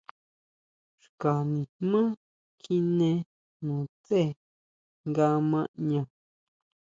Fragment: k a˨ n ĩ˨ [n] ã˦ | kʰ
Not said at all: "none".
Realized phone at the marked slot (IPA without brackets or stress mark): m